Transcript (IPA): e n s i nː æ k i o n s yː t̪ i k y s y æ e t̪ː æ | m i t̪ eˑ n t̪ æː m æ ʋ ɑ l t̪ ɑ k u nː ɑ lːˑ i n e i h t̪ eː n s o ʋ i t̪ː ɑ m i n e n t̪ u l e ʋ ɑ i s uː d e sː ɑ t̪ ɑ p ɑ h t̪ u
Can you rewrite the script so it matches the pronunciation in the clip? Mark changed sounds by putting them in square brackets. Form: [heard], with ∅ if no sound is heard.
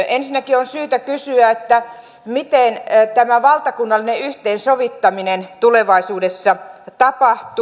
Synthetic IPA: e n s i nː æ k i o n s yː t̪ [æ] k y s y æ e t̪ː æ | m i t̪ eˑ n t̪ [æ] m æ ʋ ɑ l t̪ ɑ k u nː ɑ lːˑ i n e [y] h t̪ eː n s o ʋ i t̪ː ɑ m i n e n t̪ u l e ʋ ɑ i s uː d e sː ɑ t̪ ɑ p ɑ h t̪ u